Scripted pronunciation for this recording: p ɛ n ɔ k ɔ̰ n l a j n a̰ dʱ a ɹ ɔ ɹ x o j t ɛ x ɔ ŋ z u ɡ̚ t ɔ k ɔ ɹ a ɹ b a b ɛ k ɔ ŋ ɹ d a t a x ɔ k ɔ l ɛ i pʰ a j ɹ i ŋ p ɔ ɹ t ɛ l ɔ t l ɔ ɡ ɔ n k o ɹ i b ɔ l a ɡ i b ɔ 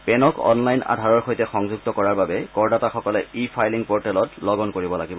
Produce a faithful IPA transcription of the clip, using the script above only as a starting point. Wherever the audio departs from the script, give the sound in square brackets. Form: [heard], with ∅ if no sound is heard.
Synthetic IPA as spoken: p ɛ n ɔ k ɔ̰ n l a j n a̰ dʱ a ɹ ɔ ɹ x o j t ɛ x ɔ ŋ z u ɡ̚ t ɔ k ɔ ɹ a ɹ b a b ɛ k ɔ [∅] ɹ d a t a x ɔ k ɔ l ɛ i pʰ a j [l] i ŋ p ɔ ɹ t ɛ l ɔ t l ɔ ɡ ɔ n k o ɹ i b ɔ l a ɡ i b ɔ